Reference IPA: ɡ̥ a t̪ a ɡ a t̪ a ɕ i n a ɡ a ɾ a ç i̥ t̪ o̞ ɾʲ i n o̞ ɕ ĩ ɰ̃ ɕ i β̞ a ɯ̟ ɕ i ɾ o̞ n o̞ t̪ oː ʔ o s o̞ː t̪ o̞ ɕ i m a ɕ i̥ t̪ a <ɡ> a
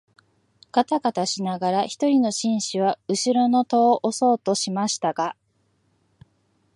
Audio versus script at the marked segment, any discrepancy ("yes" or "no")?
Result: no